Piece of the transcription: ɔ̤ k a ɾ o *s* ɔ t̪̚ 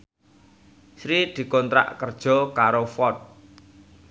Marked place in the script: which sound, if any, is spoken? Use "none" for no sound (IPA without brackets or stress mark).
f